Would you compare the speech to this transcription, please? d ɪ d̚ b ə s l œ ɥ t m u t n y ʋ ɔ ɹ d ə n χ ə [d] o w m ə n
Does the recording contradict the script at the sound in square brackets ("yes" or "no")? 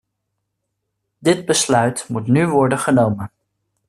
yes